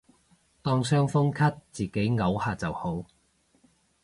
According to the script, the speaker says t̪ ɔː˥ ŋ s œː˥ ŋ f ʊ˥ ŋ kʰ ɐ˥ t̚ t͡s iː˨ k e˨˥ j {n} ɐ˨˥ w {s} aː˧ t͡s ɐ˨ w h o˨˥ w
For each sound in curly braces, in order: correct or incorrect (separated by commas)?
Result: incorrect, incorrect